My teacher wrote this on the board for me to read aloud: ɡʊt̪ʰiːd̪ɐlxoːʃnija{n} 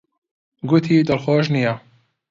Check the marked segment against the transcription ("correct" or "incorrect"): incorrect